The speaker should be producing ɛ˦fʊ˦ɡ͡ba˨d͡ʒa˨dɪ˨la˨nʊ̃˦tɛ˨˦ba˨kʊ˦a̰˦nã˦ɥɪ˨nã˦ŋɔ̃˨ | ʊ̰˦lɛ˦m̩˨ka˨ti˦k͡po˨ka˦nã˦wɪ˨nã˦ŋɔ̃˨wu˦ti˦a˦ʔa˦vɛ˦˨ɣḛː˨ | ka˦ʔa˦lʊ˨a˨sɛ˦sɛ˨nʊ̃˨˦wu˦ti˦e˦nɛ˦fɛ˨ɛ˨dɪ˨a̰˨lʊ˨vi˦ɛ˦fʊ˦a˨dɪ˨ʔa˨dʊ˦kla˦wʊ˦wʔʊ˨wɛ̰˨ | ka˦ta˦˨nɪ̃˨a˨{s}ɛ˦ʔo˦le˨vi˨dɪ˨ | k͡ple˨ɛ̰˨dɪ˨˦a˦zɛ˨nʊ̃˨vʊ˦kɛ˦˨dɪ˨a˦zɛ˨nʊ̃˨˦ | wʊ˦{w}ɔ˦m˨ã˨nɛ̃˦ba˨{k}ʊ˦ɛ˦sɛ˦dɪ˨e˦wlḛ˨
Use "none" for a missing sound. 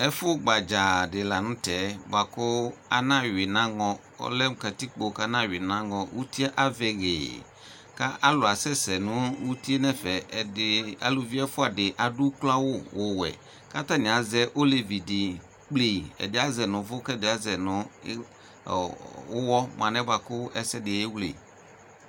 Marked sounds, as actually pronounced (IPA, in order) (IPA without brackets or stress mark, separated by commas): z, w, k